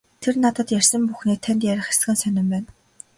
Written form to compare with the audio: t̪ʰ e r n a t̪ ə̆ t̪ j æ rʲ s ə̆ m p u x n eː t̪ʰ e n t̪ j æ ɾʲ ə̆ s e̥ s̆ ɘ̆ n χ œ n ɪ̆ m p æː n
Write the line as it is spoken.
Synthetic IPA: t̪ʰ e r n a t̪ ə̆ t̪ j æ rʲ s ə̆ m p u x n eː t̪ʰ æ n t̪ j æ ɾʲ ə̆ χ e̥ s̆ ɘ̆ n s œ n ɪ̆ m p æː n